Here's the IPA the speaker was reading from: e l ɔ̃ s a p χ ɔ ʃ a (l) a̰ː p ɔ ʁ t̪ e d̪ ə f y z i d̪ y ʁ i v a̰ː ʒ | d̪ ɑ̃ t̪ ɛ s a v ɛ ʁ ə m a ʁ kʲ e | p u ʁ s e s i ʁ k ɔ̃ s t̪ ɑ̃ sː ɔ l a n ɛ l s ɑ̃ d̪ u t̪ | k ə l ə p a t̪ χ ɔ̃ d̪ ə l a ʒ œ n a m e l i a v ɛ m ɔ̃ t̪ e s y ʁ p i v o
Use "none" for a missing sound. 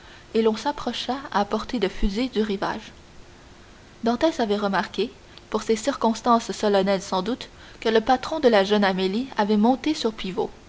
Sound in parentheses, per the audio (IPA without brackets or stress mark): none